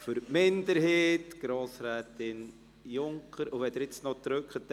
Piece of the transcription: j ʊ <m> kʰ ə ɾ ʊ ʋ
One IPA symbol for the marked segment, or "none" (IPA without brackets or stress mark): ŋ